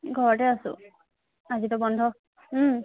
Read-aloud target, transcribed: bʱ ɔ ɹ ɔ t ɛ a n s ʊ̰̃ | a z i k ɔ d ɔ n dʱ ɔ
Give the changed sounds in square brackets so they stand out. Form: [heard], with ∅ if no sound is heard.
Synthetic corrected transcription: [ɡʱ] ɔ ɹ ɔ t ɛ a [∅] s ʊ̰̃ | a z i [t] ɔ [b] ɔ n dʱ ɔ

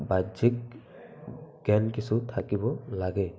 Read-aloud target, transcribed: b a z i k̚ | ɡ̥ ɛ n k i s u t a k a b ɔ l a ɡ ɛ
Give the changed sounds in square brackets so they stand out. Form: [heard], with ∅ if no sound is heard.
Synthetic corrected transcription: b a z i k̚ | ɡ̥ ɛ n k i s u [tʰ] a k [i] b ɔ l a ɡ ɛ

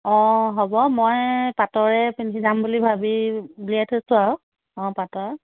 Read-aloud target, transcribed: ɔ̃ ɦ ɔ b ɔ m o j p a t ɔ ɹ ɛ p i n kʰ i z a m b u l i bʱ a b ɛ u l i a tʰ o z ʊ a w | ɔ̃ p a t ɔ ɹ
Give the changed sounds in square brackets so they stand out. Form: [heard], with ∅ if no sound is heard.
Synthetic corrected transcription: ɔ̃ ɦ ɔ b ɔ m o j p a t ɔ ɹ ɛ p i n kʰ i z a m b u l i bʱ a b [i] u l i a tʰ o [s] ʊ a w | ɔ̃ p a t ɔ ɹ

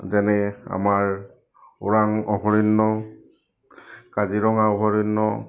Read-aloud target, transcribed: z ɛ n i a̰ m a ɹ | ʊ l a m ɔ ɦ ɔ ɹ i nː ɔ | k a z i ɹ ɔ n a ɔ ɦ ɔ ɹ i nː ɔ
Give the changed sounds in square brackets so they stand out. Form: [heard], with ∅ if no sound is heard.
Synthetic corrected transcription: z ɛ n [ɛ] a̰ m a ɹ | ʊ [ɹ] a [ŋ] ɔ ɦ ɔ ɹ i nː ɔ | k a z i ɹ ɔ [ŋ] a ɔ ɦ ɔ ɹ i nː ɔ

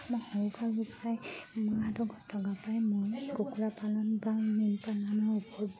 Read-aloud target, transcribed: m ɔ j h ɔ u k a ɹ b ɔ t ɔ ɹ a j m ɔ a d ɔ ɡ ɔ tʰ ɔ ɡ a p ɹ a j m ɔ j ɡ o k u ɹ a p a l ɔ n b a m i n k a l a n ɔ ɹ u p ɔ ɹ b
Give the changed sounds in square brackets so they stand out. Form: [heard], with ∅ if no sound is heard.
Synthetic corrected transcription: m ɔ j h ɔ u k a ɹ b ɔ [p] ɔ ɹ a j m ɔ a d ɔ ɡ ɔ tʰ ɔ ɡ a p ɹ a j m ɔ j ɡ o k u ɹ a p a l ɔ n b a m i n [p] a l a n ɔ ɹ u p ɔ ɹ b

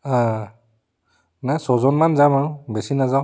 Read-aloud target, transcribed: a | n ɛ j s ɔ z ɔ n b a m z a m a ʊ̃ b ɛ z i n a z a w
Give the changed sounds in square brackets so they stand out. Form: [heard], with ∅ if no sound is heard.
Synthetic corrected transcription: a | n [a] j s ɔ z ɔ n [m] a [n] z a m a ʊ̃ b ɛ [s] i n a z a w

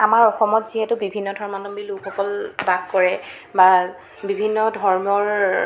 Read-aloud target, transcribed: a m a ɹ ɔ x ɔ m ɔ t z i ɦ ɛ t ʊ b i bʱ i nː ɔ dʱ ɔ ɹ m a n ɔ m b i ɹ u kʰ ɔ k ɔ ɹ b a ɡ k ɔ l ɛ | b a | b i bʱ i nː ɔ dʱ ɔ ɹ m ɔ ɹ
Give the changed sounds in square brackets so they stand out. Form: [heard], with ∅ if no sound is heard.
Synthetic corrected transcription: a m a ɹ ɔ x ɔ m ɔ t z i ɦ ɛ t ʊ b i bʱ i nː ɔ dʱ ɔ ɹ m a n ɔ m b i [l] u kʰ ɔ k ɔ [l] b a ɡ k ɔ [ɹ] ɛ | b a | b i bʱ i nː ɔ dʱ ɔ ɹ m ɔ ɹ

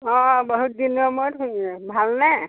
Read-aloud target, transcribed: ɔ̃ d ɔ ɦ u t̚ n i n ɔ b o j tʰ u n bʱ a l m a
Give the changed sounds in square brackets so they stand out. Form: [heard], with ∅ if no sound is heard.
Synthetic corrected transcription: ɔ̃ [b] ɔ ɦ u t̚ [d] i n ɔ [m] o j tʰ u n bʱ a l [n] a

